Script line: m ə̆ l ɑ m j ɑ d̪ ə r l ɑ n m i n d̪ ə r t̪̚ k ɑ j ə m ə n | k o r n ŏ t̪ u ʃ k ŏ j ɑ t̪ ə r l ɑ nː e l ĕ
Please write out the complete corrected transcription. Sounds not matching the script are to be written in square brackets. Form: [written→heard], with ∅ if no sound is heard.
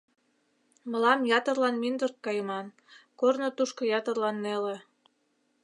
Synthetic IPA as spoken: m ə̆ l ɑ m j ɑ [d̪→t̪] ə r l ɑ n m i n d̪ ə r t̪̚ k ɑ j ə m [ə→ɑ] n | k o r n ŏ t̪ u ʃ k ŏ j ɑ t̪ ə r l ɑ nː e l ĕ